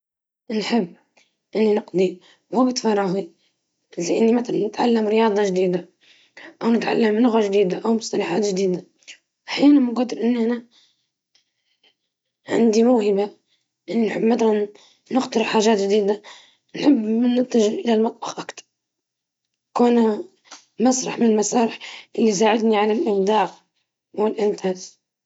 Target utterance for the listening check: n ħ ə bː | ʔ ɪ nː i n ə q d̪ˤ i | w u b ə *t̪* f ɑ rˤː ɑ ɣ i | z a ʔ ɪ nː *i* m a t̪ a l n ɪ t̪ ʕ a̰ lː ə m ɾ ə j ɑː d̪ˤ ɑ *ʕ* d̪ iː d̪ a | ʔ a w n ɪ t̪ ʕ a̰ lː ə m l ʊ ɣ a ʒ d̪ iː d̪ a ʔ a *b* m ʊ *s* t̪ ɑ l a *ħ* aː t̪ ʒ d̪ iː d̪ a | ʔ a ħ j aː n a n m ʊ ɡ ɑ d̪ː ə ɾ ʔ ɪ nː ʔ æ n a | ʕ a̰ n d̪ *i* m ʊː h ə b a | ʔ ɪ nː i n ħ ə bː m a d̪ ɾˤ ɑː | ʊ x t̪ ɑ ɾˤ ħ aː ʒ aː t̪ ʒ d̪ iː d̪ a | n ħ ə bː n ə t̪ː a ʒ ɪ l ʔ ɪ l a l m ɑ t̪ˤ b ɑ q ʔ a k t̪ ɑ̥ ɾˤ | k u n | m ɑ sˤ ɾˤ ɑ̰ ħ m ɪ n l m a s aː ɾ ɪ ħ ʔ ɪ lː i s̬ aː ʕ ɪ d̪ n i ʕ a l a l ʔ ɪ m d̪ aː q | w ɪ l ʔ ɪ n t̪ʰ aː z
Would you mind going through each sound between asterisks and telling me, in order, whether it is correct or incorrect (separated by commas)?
correct, correct, incorrect, incorrect, correct, correct, correct